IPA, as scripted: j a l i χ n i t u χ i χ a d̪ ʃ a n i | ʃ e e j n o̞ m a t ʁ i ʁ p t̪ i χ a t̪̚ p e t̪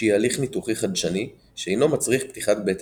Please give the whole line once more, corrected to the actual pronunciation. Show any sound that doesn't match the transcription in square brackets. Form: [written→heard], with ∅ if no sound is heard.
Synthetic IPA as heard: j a l i χ n i t u χ i χ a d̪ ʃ a n i | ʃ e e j n o̞ m a [t→t͡s] ʁ i [ʁ→χ] p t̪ i χ a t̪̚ [p→b] e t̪